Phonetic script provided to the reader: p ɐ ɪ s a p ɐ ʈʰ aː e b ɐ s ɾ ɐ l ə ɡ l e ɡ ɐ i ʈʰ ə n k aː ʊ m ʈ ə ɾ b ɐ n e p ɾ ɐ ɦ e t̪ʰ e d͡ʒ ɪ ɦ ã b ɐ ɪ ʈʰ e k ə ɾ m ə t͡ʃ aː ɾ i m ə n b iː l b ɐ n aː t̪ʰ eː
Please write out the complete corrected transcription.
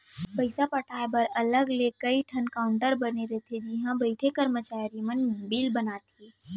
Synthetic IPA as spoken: p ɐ ɪ s a p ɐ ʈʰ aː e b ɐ ɾ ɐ l ə ɡ l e k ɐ i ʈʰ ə n k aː ʊ ɳ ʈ ə ɾ b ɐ n e ɾ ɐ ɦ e t̪ʰ e d͡ʒ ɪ ɦ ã b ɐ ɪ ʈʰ e k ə ɾ m ə t͡ʃ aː ɾ i m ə n b iː l b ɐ n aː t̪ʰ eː

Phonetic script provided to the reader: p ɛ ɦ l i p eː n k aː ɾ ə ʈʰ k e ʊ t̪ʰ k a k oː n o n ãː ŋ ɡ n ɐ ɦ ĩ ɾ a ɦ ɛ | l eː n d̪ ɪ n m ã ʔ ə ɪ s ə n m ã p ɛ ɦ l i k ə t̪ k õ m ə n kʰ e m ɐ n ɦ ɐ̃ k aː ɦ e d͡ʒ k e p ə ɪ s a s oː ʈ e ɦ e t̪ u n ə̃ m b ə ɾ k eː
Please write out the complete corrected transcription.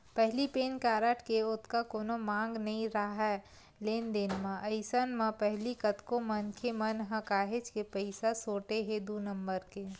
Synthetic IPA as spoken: p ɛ ɦ l i p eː n k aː ɾ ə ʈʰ k e ʊ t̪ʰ k a k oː n o m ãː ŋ ɡ n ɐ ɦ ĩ ɾ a ɦ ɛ | l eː n d̪ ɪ n m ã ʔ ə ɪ s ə n m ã p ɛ ɦ l i k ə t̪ k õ m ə n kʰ e m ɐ n ɦ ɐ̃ k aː ɦ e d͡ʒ k e p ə ɪ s a s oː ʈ e ɦ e d̪ u n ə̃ m b ə ɾ k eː

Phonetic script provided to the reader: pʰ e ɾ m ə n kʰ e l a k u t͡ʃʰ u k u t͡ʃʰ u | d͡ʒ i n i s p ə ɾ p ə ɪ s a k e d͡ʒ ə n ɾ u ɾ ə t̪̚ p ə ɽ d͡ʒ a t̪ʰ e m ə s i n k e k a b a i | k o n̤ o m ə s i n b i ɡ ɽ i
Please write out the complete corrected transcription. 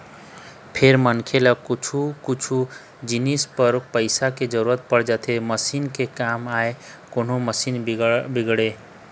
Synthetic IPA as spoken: pʰ e ɾ m ə n kʰ e l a k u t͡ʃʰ u k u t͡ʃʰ u | d͡ʒ i n i s p ə ɾ p ə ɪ s a k e d͡ʒ ə ɾ u ɾ ə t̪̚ p ə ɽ d͡ʒ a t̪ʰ e m ə s i n k e k a m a e | k o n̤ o m ə s i n b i ɡ ɽ e

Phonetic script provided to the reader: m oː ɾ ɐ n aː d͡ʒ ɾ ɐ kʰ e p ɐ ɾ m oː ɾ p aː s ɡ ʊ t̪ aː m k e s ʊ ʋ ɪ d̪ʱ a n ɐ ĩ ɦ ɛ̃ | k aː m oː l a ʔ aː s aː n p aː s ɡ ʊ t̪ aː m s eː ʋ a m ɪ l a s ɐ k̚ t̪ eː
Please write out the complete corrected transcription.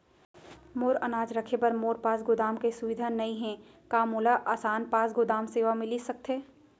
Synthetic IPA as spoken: m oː ɾ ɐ n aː d͡ʒ ɾ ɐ kʰ e p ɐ ɾ m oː ɾ p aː s ɡ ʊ d̪ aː m k e s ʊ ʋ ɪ d̪ʱ a n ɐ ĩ ɦ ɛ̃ | k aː m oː l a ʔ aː s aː n p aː s ɡ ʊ d̪ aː m s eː ʋ a m ɪ l i s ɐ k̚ t̪ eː

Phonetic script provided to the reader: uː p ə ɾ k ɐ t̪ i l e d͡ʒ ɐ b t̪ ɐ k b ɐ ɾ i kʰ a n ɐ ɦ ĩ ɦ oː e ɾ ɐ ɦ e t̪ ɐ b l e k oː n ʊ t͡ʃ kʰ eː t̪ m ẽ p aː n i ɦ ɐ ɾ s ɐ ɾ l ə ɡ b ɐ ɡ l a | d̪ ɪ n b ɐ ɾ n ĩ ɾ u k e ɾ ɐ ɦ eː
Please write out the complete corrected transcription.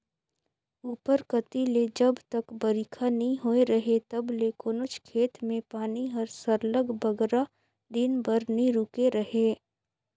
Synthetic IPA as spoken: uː p ə ɾ k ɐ t̪ i l e d͡ʒ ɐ b t̪ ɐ k b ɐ ɾ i kʰ a n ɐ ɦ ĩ ɦ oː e ɾ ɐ ɦ e t̪ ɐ b l e k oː n ʊ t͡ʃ kʰ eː t̪ m ẽ p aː n i ɦ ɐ ɾ s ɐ ɾ l ə ɡ b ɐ ɡ ɾ a | d̪ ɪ n b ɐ ɾ n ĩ ɾ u k e ɾ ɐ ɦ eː

